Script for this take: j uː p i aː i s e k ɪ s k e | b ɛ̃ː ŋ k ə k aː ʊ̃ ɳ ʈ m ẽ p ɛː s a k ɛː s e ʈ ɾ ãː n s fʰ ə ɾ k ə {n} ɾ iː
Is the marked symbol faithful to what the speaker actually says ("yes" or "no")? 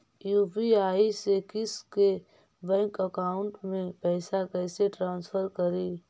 no